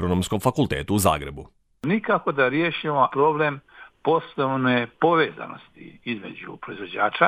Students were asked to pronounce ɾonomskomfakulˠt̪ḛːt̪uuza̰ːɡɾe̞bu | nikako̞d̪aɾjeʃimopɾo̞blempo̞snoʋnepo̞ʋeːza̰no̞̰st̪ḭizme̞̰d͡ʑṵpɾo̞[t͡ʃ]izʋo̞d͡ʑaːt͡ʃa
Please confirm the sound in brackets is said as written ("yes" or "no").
no